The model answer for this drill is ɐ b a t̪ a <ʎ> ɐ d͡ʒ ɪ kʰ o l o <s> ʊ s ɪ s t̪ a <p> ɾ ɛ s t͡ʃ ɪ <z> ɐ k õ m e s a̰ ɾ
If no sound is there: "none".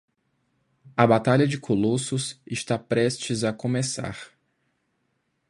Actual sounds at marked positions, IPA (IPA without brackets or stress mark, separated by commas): ʎ, s, p, z